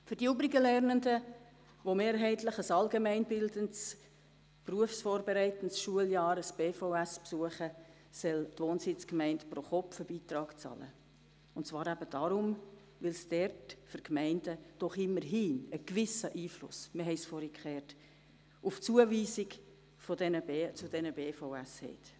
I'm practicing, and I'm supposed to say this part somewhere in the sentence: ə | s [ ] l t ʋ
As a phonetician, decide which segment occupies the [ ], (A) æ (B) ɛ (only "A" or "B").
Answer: B